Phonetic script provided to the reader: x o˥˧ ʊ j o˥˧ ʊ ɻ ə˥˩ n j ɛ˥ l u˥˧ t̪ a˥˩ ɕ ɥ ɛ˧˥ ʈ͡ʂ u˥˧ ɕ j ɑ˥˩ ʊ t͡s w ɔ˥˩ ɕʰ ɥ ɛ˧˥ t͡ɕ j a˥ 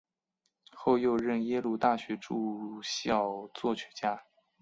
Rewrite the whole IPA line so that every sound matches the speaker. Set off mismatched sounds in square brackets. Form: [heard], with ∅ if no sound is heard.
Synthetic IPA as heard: x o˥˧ ʊ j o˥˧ ʊ ɻ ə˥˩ n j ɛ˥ l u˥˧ t̪ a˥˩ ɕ ɥ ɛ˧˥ ʈ͡ʂ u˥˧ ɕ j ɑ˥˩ ʊ t͡s w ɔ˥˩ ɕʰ ɥ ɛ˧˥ t͡ɕ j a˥